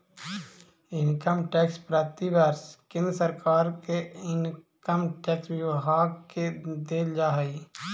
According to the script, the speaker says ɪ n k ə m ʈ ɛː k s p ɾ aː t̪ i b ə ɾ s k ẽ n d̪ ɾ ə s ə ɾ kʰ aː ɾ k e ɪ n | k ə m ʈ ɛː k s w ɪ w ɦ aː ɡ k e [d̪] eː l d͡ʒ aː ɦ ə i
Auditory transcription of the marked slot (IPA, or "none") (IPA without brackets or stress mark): d̪